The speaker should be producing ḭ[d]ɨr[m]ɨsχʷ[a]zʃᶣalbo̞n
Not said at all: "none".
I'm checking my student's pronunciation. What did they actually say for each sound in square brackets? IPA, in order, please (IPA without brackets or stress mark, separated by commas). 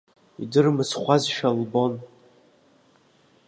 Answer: d, m, a